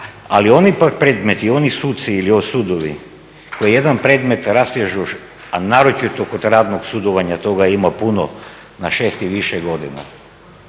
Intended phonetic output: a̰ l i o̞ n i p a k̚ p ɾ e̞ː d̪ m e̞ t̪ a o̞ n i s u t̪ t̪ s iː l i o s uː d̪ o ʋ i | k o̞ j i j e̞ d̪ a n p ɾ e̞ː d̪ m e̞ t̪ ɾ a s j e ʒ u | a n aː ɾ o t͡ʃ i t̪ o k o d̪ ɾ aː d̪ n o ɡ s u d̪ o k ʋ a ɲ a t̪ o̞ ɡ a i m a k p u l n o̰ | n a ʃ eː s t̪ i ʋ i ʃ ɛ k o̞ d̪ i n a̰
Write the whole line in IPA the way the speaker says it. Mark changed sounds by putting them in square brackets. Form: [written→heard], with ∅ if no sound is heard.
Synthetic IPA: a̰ l i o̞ n i p a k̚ p ɾ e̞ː d̪ m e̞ t̪ [a→i] o̞ n i s u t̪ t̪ s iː l i o s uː d̪ o ʋ i | k o̞ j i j e̞ d̪ a n p ɾ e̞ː d̪ m e̞ t̪ ɾ a s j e ʒ u | a n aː ɾ o t͡ʃ i t̪ o k o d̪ ɾ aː d̪ n o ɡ s u d̪ o [k→∅] ʋ a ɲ a t̪ o̞ ɡ a i m a [k→∅] p u [l→∅] n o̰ | n a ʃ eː s t̪ i ʋ i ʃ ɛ [k→ɡ] o̞ d̪ i n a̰